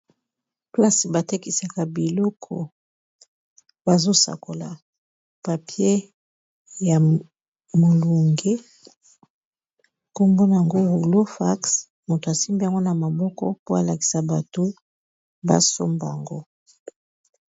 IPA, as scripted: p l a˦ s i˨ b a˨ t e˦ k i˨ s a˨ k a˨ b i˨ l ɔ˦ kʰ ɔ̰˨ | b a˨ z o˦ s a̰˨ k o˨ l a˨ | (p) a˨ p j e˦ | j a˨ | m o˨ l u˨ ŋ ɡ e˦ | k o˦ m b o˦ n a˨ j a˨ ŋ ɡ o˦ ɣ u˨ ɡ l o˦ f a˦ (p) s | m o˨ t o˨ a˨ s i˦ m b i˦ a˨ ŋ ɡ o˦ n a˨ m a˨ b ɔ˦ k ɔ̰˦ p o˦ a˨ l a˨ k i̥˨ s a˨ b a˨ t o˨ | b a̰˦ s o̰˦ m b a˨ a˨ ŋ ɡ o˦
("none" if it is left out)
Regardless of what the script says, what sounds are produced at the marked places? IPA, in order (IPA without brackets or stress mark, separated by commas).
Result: p, k